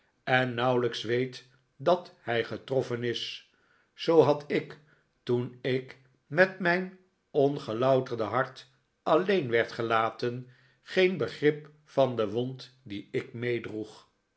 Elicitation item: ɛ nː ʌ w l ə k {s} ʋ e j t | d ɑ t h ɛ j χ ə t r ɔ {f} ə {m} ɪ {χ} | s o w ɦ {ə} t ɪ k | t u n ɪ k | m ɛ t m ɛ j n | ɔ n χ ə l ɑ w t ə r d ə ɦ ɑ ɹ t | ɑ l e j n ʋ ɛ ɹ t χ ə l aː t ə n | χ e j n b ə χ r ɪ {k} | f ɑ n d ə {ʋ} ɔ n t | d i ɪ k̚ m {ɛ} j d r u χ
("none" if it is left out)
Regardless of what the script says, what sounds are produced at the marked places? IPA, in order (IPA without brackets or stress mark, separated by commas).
s, f, n, s, ɑ, p, ʋ, e